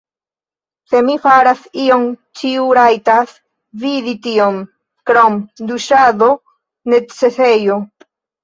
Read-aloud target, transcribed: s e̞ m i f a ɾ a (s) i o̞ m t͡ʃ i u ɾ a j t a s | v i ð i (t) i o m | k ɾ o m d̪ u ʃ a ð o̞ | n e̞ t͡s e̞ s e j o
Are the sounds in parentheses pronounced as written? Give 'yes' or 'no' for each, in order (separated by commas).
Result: yes, yes